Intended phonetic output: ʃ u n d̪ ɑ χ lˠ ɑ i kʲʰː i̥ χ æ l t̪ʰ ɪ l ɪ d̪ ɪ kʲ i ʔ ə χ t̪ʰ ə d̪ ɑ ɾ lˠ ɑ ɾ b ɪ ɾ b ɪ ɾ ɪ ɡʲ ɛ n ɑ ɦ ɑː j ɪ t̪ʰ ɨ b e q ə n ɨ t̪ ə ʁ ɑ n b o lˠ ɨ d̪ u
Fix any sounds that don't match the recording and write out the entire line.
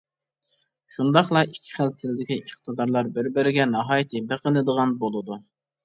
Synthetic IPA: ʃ u n d̪ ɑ χ lˠ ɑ i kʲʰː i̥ χ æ l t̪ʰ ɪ l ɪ d̪ ɪ kʲ i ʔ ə χ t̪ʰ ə d̪ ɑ ɾ lˠ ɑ ɾ b ɪ ɾ b ɪ ɾ ɪ ɡʲ ɛ n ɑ ɦ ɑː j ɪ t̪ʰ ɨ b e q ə n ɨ d̪ ə ʁ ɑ n b o lˠ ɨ d̪ u